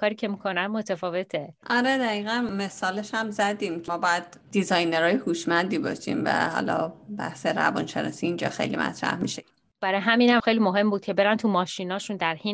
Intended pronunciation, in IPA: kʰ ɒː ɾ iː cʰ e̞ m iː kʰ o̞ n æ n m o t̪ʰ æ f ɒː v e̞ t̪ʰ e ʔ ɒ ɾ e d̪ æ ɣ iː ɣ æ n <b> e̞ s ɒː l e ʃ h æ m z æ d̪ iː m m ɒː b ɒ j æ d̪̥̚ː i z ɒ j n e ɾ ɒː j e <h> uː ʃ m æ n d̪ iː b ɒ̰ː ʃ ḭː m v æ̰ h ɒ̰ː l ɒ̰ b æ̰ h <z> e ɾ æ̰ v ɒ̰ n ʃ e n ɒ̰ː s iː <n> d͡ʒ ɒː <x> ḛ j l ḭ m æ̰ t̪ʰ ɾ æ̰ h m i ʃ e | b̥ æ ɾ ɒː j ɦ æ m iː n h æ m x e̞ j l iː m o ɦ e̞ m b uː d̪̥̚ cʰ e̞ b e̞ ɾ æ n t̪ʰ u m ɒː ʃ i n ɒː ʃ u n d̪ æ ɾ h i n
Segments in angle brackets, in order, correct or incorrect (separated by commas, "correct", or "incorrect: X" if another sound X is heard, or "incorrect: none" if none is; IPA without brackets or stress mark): incorrect: m, correct, incorrect: s, correct, correct